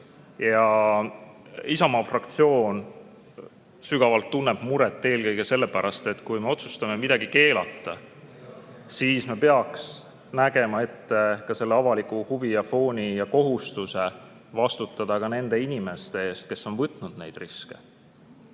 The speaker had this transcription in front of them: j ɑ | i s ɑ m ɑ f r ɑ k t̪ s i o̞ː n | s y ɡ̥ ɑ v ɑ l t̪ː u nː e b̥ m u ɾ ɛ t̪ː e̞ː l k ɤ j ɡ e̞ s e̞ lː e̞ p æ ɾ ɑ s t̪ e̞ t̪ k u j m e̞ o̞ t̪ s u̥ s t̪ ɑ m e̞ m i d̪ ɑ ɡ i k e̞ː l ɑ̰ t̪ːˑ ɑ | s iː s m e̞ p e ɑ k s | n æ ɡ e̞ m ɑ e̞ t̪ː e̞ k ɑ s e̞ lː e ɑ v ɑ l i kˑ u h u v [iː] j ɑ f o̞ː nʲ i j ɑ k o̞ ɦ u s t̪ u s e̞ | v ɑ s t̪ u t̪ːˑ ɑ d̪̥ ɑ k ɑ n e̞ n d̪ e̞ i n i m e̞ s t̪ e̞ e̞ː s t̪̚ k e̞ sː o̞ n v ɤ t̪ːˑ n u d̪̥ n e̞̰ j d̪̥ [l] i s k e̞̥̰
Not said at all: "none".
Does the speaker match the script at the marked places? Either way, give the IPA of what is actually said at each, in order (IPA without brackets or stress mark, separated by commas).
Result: i, r